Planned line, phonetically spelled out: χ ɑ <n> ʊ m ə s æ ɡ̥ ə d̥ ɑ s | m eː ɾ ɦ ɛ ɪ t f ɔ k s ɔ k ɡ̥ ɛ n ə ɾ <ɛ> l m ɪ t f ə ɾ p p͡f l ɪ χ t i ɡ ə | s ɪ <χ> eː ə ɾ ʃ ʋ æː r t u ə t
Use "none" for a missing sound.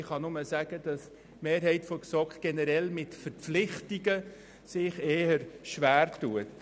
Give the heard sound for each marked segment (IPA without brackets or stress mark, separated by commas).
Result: n, ɛ, χ